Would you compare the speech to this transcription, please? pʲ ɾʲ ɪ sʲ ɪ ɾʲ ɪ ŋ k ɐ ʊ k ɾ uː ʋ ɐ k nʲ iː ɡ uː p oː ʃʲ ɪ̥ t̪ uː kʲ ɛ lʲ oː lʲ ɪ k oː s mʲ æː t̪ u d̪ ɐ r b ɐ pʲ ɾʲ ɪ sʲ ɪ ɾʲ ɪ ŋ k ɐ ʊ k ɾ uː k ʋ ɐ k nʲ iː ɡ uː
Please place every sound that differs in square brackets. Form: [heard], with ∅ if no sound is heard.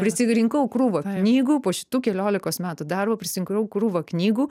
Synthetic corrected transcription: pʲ ɾʲ ɪ sʲ ɪ ɾʲ ɪ ŋ k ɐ ʊ k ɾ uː ʋ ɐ k nʲ iː ɡ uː p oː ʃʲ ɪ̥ t̪ uː kʲ ɛ lʲ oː lʲ ɪ k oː s mʲ æː t̪ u d̪ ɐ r b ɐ pʲ ɾʲ ɪ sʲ ɪ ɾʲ ɪ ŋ k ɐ ʊ k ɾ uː [∅] ʋ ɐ k nʲ iː ɡ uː